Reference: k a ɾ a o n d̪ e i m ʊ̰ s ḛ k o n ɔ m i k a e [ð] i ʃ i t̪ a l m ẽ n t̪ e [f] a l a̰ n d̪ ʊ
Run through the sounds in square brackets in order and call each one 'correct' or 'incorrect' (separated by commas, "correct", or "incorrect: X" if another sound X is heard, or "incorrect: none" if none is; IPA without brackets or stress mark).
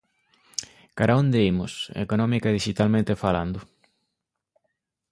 correct, correct